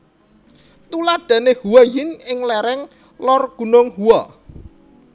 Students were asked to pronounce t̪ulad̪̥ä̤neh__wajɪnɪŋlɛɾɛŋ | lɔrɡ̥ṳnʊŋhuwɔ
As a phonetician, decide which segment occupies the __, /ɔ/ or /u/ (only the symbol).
u